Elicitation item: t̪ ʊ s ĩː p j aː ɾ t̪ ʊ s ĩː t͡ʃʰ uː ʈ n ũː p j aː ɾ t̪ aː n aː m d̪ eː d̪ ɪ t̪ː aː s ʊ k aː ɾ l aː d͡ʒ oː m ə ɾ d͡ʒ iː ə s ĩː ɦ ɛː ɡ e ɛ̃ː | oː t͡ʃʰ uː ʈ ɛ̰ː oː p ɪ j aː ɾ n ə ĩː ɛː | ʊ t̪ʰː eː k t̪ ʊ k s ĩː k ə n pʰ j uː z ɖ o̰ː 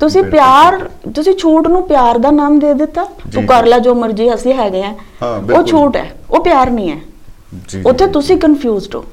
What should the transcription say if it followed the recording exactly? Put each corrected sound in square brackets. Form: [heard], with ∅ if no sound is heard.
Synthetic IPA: t̪ ʊ s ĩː p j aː ɾ t̪ ʊ s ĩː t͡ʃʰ uː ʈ n ũː p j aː ɾ [d̪] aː n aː m d̪ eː d̪ ɪ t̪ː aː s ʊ k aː ɾ l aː d͡ʒ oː m ə ɾ d͡ʒ iː ə s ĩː ɦ ɛː ɡ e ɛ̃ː | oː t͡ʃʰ uː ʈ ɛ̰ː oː p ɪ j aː ɾ n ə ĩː ɛː | ʊ t̪ʰː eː [∅] t̪ ʊ [∅] s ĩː k ə n pʰ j uː z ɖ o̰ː